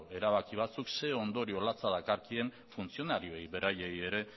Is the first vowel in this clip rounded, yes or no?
no